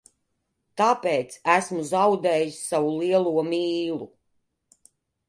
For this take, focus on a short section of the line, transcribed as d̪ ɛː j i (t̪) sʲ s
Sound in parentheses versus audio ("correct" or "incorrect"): incorrect